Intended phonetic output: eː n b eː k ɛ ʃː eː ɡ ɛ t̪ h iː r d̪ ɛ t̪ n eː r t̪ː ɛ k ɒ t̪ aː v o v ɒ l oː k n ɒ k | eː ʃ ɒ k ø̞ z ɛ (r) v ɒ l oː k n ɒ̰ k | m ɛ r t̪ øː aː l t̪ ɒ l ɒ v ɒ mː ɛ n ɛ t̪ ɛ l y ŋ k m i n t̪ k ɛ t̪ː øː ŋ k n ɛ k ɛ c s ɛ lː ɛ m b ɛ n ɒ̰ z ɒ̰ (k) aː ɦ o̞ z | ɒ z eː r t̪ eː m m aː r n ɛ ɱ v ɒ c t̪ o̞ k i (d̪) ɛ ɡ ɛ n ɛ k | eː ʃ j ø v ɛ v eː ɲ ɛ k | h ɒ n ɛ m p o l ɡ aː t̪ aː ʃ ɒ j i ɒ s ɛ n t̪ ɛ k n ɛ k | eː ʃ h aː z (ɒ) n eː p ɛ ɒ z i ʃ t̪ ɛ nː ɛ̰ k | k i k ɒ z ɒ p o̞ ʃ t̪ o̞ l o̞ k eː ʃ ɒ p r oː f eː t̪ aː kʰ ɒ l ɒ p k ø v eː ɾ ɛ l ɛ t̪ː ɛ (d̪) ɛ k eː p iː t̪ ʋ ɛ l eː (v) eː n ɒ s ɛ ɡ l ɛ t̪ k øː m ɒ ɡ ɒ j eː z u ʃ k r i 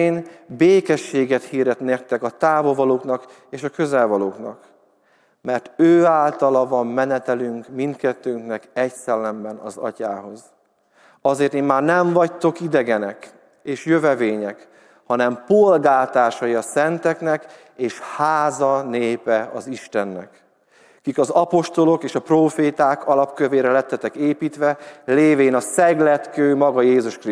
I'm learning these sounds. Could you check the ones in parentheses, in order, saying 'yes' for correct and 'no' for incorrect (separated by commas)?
no, no, yes, yes, no, yes